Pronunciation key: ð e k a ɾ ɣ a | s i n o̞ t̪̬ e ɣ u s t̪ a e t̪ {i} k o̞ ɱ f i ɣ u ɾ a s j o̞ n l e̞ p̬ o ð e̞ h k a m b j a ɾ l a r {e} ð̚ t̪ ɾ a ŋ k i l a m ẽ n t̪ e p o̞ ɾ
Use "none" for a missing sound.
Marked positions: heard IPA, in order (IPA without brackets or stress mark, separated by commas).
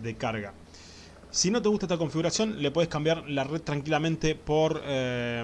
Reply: a, e